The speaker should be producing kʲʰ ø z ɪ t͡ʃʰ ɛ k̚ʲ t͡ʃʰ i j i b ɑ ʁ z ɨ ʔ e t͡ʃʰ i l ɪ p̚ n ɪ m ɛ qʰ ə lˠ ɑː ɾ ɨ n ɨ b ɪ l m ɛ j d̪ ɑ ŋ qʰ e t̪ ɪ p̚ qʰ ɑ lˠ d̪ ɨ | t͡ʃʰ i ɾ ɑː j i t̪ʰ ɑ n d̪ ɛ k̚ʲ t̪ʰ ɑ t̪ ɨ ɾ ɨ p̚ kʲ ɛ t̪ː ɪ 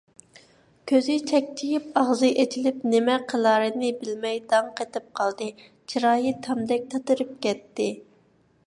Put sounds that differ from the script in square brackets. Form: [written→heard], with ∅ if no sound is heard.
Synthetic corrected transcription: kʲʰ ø z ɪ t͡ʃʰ ɛ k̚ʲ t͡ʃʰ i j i [b→p] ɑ ʁ z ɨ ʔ e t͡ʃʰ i l ɪ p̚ n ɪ m ɛ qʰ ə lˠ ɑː ɾ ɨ n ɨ b ɪ l m ɛ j d̪ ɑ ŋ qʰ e t̪ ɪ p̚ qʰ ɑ lˠ d̪ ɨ | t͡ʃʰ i ɾ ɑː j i t̪ʰ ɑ [n→m] d̪ ɛ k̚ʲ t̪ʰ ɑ t̪ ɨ ɾ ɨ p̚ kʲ ɛ t̪ː ɪ